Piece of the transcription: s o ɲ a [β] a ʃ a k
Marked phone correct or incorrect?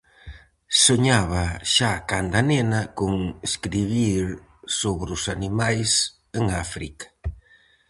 correct